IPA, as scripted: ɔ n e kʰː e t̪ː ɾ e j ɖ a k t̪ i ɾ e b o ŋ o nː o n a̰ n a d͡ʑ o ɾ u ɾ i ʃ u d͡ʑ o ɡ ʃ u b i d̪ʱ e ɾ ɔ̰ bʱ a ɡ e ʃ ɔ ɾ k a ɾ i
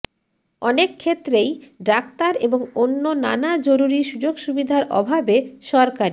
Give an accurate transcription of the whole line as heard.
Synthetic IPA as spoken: ɔ n e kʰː e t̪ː ɾ e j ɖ a k t̪ a ɾ e b o ŋ o nː o n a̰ n a d͡ʑ o ɾ u ɾ i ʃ u d͡ʑ o ɡ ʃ u b i d̪ʱ a ɾ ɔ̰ bʱ a b e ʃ ɔ ɾ k a ɾ i

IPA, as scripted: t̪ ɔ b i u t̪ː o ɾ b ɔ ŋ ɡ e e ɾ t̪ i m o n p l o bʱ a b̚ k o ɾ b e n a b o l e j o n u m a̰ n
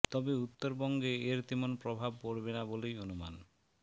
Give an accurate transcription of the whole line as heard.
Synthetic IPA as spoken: t̪ ɔ b e u t̪ː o ɾ b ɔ ŋ ɡ e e ɾ t̪ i m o n p ɾ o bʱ a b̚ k o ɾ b e n a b o l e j o n u m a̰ n

